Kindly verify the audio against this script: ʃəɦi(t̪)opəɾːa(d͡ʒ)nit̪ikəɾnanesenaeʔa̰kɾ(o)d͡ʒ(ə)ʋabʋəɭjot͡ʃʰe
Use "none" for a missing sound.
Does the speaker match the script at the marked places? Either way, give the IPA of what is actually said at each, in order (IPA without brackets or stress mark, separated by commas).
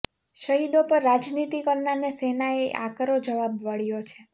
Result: d̪, d͡ʒ, o, ə